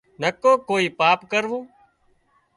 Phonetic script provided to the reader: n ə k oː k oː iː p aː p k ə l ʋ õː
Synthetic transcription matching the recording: n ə k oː k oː iː p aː p k ə ɾ ʋ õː

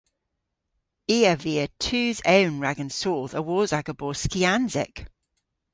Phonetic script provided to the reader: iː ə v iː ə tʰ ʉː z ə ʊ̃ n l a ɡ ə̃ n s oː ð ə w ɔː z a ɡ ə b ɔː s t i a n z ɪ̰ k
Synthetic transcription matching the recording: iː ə v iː ə tʰ ʉː z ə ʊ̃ n ɹ a ɡ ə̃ n s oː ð ə w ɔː z a ɡ ə b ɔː s k i a n z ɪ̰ k

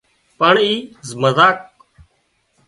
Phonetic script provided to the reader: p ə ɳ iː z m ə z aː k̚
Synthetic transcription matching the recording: p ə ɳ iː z m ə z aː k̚

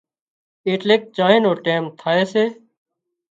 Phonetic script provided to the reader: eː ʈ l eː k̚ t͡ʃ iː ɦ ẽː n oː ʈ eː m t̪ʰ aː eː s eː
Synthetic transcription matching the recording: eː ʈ l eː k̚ t͡ʃ aː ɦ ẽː n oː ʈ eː m t̪ʰ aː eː s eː

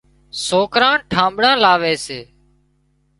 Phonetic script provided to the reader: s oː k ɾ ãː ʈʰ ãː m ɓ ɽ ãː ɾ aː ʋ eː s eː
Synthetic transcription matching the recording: s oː k ɾ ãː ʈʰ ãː m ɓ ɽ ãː l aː ʋ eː s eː

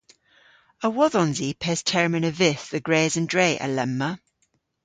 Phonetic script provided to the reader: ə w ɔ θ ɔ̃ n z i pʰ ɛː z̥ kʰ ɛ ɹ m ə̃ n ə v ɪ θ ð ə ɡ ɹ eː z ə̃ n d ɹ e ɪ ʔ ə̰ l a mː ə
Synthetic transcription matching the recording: ə w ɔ ð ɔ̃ n z i pʰ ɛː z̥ tʰ ɛ ɹ m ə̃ n ə v ɪ θ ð ə ɡ ɹ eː z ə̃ n d ɹ e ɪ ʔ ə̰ l ɛ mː ə

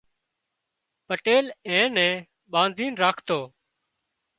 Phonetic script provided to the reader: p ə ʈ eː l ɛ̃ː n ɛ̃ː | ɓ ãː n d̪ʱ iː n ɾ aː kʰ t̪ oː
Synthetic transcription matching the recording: p ə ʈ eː l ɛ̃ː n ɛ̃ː | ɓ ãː n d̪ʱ iː n ɾ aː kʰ t̪ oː

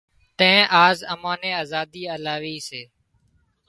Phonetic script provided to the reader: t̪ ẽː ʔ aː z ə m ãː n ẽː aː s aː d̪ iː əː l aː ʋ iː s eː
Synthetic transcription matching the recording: t̪ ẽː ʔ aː z ə m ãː n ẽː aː z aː d̪ iː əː l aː ʋ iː s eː

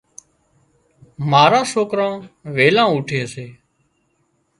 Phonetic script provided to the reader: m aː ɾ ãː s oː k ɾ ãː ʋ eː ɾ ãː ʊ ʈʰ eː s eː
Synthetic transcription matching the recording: m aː ɾ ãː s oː k ɾ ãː ʋ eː l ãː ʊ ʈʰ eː s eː

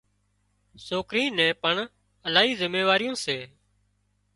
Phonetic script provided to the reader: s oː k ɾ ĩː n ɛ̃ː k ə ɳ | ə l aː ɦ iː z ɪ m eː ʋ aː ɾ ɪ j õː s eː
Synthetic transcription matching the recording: s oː k ɾ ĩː n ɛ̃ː p ə ɳ | ə l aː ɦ iː z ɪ m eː ʋ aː ɾ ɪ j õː s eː

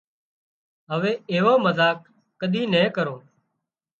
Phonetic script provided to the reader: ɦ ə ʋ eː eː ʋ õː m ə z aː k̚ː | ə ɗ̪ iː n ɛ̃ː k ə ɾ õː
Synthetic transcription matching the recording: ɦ ə ʋ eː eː ʋ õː m ə z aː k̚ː | ə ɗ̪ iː n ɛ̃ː k ə ɾ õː

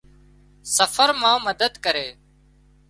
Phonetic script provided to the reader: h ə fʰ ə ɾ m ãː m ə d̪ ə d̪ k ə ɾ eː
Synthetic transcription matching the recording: s ə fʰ ə ɾ m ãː m ə d̪ ə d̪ k ə ɾ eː

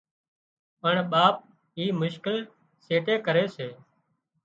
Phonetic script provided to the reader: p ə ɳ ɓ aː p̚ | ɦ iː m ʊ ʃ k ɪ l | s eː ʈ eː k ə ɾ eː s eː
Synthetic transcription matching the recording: p ə ɳ ɓ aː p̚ | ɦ iː m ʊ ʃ k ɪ l | s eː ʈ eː k ə ɾ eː s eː

